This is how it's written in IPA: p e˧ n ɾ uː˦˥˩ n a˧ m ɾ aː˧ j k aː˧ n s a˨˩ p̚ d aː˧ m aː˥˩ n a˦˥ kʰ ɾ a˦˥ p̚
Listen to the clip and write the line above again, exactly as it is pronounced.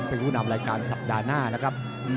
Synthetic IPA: p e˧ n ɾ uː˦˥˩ n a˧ m ɾ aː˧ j k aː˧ n s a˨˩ p̚ d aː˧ n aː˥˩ n a˦˥ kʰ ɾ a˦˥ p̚